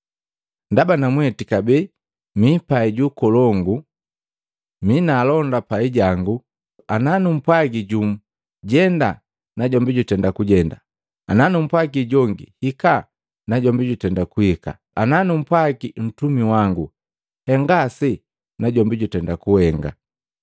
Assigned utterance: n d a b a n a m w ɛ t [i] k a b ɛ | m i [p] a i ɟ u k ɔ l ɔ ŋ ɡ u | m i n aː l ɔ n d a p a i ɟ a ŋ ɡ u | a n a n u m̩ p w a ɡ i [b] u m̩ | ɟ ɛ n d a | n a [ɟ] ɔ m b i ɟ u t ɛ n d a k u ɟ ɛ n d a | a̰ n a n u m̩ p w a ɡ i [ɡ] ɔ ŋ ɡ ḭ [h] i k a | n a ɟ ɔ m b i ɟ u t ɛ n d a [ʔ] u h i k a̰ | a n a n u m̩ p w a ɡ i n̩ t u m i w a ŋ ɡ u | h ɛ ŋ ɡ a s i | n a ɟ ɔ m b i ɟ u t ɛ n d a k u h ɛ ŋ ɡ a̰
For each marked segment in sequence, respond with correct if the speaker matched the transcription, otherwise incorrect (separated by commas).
correct, correct, incorrect, correct, incorrect, correct, incorrect